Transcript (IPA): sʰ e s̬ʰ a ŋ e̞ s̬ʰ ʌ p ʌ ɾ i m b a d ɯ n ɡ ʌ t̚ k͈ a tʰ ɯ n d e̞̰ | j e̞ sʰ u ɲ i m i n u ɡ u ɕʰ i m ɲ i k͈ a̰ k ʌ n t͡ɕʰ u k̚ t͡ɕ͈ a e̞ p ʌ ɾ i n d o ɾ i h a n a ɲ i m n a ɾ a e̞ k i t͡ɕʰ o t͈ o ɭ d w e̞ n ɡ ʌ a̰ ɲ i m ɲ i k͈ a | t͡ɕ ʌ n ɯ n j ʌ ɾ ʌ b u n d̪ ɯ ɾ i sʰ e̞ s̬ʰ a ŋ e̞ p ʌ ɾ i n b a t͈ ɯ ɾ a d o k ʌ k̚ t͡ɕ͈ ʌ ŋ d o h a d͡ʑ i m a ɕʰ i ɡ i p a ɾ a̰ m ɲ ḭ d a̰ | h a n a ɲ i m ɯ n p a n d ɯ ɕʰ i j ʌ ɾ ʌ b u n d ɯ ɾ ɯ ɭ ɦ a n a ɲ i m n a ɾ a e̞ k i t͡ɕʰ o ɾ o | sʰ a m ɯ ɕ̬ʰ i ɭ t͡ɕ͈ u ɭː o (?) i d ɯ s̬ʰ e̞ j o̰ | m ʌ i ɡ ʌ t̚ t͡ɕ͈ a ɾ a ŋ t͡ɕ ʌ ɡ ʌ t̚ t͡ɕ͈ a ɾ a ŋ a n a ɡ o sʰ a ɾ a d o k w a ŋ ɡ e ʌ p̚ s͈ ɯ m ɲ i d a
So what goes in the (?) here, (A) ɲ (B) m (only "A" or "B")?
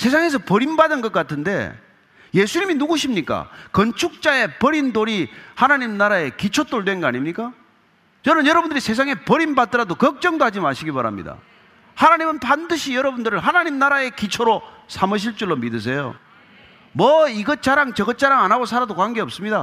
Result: B